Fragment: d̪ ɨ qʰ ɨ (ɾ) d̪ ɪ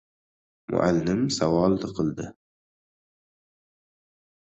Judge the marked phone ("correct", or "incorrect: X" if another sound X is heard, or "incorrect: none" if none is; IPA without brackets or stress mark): incorrect: l